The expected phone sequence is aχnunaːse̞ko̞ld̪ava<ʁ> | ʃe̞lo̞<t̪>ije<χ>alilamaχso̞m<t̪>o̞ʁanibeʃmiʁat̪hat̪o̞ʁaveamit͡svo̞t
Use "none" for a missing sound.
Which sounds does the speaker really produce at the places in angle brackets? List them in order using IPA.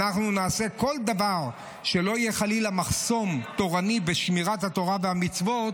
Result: ʁ, none, χ, t̪

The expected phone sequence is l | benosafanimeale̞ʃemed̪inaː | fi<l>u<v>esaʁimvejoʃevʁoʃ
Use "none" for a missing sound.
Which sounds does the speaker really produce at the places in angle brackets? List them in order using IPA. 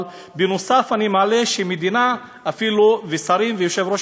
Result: l, v

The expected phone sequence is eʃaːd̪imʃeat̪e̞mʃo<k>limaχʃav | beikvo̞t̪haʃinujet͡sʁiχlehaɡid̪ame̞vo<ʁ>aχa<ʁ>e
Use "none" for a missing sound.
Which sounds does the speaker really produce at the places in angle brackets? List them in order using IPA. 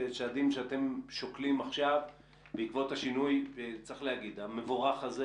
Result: k, ʁ, z

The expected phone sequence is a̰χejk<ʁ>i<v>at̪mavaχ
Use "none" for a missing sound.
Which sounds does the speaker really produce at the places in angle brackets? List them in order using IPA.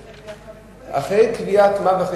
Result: v, none

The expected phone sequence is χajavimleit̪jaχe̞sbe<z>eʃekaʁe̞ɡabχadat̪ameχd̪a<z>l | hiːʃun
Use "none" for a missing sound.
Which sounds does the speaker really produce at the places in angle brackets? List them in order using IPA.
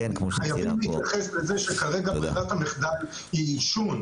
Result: z, none

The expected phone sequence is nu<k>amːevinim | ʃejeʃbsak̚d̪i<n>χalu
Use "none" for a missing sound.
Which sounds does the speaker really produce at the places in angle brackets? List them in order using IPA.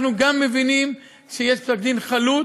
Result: ɡ, n

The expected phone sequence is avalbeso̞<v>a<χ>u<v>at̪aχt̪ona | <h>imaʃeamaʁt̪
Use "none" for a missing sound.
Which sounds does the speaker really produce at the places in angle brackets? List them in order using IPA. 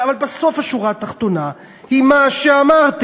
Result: f, ʃ, ʁ, h

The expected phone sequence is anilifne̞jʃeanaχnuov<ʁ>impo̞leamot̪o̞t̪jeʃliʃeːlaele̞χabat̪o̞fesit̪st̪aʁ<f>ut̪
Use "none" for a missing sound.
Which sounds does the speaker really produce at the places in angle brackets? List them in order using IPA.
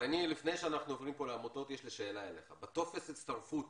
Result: ʁ, f

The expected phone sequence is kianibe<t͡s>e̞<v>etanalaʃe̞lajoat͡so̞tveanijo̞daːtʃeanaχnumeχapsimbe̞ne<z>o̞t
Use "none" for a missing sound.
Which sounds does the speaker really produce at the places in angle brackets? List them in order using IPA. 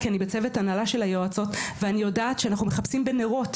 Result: t͡s, v, ʁ

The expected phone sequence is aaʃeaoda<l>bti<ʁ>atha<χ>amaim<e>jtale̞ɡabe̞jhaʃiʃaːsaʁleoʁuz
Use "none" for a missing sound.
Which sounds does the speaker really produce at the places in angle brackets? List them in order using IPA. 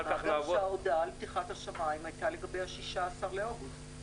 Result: l, χ, ʃ, a

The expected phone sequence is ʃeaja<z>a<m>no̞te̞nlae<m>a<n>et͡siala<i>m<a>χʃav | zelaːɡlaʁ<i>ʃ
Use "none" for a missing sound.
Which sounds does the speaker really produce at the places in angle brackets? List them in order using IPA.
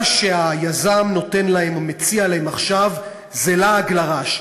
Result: z, m, m, m, e, a, a

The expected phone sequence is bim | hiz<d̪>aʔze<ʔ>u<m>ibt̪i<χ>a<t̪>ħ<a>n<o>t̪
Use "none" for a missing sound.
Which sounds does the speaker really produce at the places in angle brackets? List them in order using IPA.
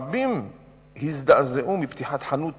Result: d̪, ʔ, m, ħ, t̪, a, u

